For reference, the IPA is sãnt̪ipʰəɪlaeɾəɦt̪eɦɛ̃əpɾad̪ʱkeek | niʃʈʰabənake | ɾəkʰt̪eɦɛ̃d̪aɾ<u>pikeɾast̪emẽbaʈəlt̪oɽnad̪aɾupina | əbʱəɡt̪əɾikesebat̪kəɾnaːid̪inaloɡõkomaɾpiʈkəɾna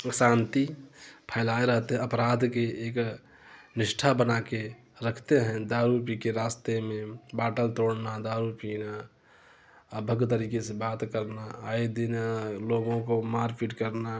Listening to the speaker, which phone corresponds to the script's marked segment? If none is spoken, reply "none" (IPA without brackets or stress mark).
u